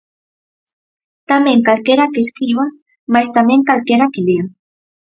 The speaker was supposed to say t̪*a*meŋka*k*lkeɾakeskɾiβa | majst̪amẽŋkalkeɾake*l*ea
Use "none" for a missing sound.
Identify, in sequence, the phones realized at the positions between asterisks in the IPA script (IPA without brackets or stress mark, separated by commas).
a, none, l